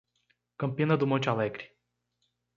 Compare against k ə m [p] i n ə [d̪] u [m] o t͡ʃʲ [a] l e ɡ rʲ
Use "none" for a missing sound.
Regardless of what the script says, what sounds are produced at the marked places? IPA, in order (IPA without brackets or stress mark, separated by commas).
p, d̪, m, a